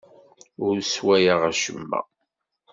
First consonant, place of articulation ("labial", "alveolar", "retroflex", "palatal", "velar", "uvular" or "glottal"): alveolar